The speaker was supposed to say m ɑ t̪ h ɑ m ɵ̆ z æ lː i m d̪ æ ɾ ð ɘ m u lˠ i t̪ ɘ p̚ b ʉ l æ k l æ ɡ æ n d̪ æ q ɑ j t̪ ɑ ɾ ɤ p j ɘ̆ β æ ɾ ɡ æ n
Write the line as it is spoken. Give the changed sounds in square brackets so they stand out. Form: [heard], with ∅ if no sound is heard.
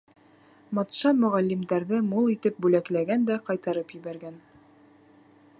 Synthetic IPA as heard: m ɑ t̪ [ʃ] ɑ m ɵ̆ [ʁ] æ lː i m d̪ æ ɾ ð ɘ m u lˠ i t̪ ɘ p̚ b ʉ l æ k l æ ɡ æ n d̪ æ q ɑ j t̪ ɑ ɾ ɤ p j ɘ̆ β æ ɾ ɡ æ n